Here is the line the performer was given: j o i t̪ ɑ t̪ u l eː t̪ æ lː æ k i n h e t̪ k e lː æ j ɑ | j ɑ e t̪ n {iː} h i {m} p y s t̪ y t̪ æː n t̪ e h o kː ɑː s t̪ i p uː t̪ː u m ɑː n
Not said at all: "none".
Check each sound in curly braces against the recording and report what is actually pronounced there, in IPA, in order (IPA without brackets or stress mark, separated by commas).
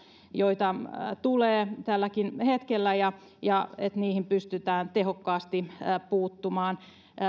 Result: iː, m